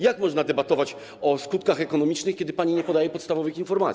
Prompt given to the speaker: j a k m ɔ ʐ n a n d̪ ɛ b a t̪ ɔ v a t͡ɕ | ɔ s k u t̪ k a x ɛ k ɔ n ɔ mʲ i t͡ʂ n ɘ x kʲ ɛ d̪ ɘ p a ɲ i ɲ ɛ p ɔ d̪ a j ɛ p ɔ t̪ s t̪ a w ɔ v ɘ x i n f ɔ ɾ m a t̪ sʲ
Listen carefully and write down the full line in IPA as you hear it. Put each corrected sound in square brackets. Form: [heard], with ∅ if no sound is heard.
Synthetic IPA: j a k m ɔ ʐ n a [∅] d̪ ɛ b a t̪ ɔ v a t͡ɕ | ɔ s k u t̪ k a x ɛ k ɔ n ɔ mʲ i t͡ʂ n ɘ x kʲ ɛ d̪ ɘ p a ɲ i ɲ ɛ p ɔ d̪ a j ɛ p ɔ t̪ s t̪ a [v] ɔ v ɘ x i n f ɔ ɾ m a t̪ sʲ

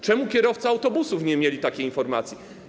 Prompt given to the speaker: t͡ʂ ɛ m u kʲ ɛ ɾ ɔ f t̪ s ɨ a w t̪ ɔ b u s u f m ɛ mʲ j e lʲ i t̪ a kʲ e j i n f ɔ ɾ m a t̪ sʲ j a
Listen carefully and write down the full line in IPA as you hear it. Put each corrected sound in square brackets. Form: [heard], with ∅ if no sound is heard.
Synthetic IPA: t͡ʂ ɛ m u kʲ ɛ ɾ ɔ f t̪ s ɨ a w t̪ ɔ b u s u f [ɲ] ɛ mʲ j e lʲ i t̪ a kʲ e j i n f ɔ ɾ m a t̪ sʲ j [i]

